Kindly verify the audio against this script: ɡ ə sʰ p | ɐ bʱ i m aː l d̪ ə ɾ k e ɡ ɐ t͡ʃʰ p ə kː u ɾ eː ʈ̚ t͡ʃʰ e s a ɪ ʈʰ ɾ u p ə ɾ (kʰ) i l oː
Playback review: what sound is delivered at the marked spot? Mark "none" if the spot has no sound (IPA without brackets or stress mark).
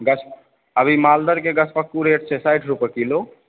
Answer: k